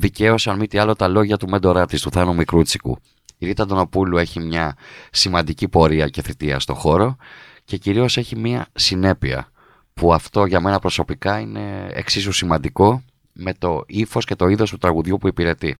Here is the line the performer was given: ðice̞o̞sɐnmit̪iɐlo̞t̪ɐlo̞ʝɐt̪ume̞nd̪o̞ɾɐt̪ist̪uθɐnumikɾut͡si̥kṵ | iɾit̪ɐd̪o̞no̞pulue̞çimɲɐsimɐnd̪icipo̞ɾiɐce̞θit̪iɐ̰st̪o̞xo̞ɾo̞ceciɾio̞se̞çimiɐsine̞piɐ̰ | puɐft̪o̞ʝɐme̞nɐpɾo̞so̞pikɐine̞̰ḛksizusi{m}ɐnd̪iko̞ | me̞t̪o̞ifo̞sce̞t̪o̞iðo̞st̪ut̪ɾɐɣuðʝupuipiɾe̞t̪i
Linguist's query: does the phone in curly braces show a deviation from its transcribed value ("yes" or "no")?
no